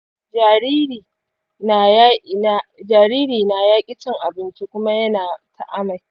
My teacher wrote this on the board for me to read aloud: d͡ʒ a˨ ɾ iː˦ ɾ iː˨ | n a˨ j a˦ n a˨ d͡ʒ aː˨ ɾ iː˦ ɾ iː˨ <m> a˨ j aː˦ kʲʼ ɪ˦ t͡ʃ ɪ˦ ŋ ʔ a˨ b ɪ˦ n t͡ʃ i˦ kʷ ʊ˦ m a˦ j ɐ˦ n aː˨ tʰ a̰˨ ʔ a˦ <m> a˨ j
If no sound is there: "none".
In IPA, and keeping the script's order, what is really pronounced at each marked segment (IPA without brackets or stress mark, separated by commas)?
n, m